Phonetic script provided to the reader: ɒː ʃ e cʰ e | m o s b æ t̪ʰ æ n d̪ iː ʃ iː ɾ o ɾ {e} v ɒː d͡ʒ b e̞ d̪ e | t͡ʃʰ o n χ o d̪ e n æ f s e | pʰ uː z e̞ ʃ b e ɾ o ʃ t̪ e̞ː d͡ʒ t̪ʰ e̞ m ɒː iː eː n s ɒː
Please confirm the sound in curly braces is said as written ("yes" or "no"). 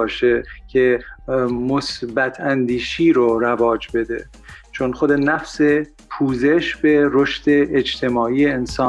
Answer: no